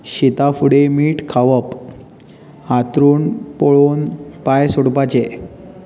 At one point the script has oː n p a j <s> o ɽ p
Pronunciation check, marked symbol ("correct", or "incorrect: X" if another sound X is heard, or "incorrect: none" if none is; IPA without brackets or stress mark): correct